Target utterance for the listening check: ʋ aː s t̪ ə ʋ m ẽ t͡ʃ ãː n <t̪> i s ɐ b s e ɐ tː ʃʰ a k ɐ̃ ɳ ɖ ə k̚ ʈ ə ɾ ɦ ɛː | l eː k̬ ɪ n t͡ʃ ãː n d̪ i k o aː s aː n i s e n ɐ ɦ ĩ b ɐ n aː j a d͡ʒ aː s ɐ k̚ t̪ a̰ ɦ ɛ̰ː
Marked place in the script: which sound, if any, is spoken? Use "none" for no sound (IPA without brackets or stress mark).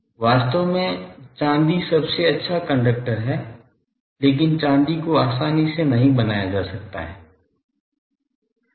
d̪